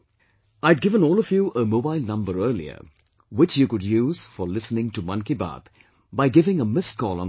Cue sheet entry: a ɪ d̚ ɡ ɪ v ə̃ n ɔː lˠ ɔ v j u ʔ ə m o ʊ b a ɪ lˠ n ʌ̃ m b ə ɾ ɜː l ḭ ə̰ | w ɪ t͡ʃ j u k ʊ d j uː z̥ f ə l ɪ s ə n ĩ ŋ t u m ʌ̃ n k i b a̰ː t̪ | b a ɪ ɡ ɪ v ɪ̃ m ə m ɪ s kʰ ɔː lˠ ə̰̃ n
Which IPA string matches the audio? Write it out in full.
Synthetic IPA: a ɪ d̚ ɡ ɪ v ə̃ n ɔː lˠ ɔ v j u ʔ ə m o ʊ b a ɪ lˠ n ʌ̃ m b ə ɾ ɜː l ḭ ə̰ | w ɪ t͡ʃ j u k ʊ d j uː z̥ f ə l ɪ s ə n ɪ̃ ŋ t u m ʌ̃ n k i b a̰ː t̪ | b a ɪ ɡ ɪ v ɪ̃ ŋ ə m ɪ s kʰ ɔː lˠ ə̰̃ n